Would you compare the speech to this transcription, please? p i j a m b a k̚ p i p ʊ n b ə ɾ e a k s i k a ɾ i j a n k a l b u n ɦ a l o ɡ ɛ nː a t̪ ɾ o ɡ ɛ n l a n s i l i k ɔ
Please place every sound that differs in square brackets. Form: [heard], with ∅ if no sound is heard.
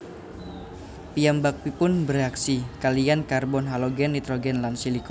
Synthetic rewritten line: p i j a m b a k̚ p i p ʊ n b ə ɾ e a k s i k a [l] i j a n k a [r] b [ɔ] n ɦ a l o ɡ ɛ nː [i] t̪ ɾ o ɡ ɛ n l a n s i l i k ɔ